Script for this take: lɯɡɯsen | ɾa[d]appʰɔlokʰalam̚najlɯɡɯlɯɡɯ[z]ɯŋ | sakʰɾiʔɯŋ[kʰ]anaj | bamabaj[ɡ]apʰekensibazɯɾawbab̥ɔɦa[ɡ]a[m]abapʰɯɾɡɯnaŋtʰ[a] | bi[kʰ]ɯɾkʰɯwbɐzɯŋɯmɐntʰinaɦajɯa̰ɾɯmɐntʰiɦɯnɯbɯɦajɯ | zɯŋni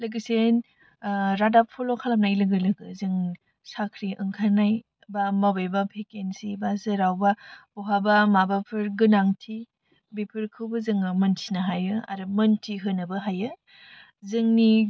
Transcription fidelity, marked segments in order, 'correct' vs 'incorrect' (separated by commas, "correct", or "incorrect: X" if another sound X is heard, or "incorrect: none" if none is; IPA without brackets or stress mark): correct, correct, correct, incorrect: b, incorrect: b, correct, incorrect: i, incorrect: pʰ